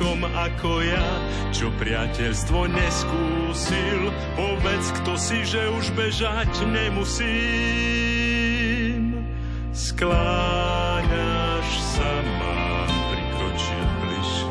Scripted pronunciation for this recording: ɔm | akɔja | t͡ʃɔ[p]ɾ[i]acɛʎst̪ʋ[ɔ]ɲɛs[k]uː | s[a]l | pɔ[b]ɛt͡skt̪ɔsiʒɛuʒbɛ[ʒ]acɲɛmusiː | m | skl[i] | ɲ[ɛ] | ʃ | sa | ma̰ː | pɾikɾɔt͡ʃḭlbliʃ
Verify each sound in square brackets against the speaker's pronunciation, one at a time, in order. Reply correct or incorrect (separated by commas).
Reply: correct, incorrect, correct, correct, incorrect, correct, correct, incorrect, incorrect